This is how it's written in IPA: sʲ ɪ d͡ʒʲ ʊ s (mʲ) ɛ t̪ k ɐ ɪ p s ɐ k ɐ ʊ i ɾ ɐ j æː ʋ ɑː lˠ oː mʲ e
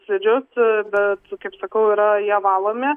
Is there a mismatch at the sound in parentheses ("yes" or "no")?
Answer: yes